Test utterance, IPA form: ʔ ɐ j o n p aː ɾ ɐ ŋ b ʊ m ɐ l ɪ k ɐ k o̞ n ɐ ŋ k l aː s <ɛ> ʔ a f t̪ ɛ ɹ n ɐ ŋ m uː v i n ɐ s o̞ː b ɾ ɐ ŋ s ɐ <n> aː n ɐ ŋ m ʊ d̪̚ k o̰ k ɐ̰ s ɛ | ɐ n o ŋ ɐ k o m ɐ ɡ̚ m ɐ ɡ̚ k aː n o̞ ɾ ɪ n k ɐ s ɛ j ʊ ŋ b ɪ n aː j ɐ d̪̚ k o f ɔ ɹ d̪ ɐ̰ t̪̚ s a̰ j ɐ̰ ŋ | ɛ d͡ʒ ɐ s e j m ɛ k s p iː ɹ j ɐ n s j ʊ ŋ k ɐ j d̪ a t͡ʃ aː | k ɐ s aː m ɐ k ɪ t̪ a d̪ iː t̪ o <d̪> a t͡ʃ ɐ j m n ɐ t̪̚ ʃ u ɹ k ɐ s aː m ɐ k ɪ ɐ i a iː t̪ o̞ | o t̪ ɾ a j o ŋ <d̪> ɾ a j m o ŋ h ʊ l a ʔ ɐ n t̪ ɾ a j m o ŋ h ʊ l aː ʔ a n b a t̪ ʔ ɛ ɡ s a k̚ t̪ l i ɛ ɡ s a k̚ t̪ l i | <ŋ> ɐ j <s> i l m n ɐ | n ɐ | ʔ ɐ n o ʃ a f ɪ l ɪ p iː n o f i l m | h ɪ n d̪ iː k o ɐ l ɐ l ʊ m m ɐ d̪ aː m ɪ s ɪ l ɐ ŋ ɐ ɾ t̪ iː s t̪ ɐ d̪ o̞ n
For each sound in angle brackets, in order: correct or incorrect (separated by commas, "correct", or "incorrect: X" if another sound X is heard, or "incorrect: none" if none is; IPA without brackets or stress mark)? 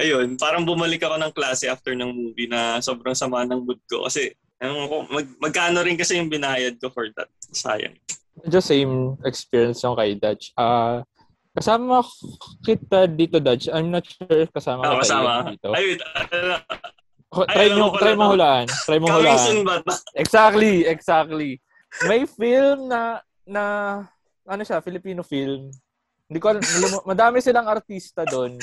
correct, incorrect: m, correct, incorrect: t̪, incorrect: m, incorrect: f